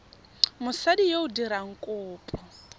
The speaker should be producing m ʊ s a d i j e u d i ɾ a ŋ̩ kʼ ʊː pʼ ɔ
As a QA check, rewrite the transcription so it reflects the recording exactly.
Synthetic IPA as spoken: m ʊ s a d i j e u d i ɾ a ŋ̩ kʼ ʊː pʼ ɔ